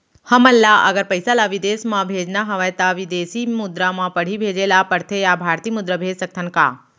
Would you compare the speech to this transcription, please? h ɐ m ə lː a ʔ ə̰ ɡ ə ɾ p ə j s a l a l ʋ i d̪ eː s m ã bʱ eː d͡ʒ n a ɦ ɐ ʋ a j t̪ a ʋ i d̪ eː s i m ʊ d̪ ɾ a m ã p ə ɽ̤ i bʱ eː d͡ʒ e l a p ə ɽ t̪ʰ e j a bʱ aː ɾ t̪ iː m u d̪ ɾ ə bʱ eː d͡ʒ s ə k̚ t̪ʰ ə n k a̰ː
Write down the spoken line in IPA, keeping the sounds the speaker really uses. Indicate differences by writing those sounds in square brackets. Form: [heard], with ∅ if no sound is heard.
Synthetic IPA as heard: h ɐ m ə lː a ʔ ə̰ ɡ ə ɾ p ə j s a l a [∅] ʋ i d̪ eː s m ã bʱ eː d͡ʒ n a ɦ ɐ ʋ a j t̪ a ʋ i d̪ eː s i m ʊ d̪ ɾ a m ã p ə ɽ̤ i bʱ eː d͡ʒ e l a p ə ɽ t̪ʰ e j a bʱ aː ɾ t̪ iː m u d̪ ɾ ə bʱ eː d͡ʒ s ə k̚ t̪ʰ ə n k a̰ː